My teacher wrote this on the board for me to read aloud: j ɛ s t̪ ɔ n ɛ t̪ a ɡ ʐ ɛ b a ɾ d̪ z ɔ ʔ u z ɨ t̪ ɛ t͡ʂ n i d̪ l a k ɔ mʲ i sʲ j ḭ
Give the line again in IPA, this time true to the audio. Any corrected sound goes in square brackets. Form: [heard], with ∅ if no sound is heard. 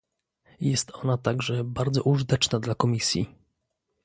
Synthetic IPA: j ɛ s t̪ ɔ n [a] t̪ a ɡ ʐ ɛ b a ɾ d̪ z ɔ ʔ u [ʐ] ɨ t̪ ɛ t͡ʂ n [a] d̪ l a k ɔ mʲ i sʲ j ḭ